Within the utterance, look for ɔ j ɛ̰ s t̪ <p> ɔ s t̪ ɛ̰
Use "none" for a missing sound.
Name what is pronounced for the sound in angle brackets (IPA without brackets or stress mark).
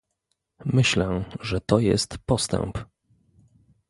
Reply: p